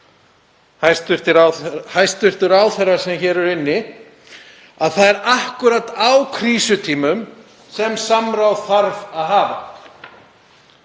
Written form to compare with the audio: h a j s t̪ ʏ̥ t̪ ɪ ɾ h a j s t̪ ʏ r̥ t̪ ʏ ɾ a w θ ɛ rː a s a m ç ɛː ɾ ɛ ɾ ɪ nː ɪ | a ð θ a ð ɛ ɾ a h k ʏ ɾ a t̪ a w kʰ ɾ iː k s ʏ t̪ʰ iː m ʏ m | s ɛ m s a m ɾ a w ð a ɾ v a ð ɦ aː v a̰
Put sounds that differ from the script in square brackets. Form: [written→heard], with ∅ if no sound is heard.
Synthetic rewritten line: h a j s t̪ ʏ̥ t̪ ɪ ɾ h a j s t̪ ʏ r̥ t̪ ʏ ɾ a w θ ɛ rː a s [a→ɛ] m ç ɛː ɾ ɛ ɾ ɪ nː ɪ | a ð θ a ð ɛ ɾ a h k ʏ ɾ a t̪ a w kʰ ɾ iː [k→∅] s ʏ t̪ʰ iː m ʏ m | s ɛ m s a m ɾ a w [ð→θ] a ɾ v a ð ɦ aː v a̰

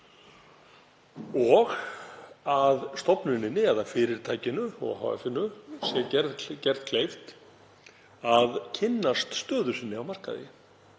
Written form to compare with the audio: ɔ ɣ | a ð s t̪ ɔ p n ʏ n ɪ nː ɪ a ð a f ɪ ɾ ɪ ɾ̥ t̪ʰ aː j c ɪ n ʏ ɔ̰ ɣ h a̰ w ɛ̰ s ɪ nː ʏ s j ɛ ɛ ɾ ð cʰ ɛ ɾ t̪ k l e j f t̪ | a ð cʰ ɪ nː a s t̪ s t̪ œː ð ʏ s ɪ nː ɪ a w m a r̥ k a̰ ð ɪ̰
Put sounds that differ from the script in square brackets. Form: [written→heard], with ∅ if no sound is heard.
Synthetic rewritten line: ɔ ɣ | a ð s t̪ ɔ p n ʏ n ɪ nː ɪ [a→ɛ] ð a f ɪ ɾ ɪ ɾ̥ t̪ʰ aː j c ɪ n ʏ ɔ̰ ɣ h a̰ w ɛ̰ [s→f] ɪ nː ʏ s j ɛ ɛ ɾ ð [cʰ→c] ɛ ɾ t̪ [k→kʰ] l e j f t̪ | a ð cʰ ɪ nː a s t̪ s t̪ œː ð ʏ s ɪ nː ɪ a w m a r̥ k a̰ ð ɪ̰

